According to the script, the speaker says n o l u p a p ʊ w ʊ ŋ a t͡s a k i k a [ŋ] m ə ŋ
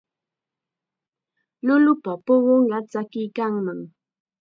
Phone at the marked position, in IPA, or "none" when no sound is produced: ŋ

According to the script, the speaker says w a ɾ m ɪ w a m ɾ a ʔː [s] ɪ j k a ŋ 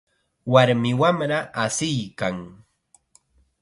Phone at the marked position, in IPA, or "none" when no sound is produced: s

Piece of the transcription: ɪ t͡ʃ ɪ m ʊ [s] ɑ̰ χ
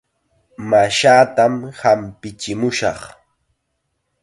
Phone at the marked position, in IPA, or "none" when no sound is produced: ʃ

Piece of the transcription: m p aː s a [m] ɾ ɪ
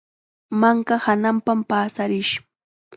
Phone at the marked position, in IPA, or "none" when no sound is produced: none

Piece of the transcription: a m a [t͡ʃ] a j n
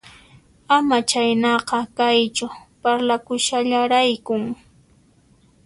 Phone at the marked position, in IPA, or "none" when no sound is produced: t͡ʃ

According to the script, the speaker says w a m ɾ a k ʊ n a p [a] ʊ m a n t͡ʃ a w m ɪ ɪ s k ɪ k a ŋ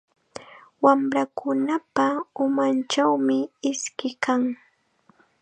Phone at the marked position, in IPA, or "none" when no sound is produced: a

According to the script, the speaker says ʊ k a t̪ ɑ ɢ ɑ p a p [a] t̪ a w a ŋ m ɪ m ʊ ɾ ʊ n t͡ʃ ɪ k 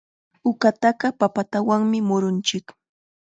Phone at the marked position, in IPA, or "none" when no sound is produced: a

